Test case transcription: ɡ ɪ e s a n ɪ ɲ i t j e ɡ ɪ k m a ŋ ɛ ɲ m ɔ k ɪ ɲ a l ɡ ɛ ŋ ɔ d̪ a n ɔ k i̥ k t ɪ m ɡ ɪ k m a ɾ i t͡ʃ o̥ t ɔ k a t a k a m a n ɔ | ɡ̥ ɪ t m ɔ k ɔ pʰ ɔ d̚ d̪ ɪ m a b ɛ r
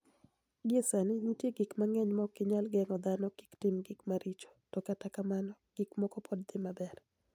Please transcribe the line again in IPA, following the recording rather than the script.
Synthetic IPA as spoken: ɡ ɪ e s a n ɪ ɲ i t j e ɡ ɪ k m a ŋ ɛ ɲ m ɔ k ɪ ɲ a l ɡ ɛ ŋ ɔ d̪ a n ɔ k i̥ k t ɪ m ɡ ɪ k m a ɾ i t͡ʃ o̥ t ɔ k a t a k a m a n ɔ | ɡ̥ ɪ k m ɔ k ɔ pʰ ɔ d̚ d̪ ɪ m a b ɛ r